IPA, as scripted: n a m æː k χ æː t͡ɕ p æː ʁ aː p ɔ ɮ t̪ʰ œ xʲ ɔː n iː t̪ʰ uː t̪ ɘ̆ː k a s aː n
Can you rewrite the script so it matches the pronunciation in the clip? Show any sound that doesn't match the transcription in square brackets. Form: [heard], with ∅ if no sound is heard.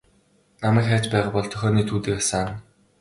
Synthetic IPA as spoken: n a m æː k χ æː t͡ɕ p æː ʁ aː p ɔ ɮ t̪ʰ œ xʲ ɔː n iː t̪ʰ uː t̪ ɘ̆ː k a s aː n